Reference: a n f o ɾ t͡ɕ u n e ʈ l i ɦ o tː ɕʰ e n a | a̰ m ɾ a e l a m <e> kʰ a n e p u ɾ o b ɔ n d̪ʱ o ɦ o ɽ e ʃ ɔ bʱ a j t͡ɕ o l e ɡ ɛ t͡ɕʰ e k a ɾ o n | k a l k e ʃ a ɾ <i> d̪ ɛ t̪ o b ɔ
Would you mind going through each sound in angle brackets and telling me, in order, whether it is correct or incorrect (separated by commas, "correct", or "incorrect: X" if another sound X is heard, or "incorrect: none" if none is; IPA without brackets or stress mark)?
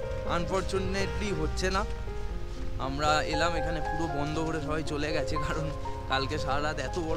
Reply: correct, incorrect: a